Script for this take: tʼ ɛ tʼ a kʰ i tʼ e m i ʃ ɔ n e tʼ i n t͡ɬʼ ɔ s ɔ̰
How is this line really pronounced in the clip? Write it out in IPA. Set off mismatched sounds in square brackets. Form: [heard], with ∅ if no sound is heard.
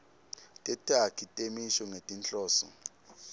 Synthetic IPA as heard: tʼ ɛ tʼ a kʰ i tʼ e m i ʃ ɔ [ŋ] e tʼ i n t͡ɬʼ [ɔː] s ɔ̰